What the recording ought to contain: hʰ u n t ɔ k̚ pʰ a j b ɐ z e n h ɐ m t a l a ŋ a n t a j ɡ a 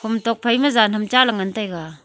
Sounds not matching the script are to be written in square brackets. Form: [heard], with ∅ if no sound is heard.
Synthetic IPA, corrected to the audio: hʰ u [m] t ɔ k̚ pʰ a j [m] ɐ z [a] n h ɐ m [t͡ʃ] a l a ŋ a n t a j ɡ a